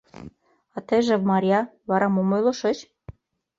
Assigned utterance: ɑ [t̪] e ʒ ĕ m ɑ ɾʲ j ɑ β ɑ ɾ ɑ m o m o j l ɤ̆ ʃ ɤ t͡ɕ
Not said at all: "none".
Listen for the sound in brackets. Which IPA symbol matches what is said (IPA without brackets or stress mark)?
t̪